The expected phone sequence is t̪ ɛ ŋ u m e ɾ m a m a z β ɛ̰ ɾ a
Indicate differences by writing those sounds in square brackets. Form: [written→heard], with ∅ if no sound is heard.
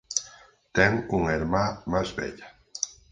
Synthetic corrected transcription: t̪ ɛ ŋ u [m→ŋ] e ɾ m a m a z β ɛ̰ [ɾ→ʎ] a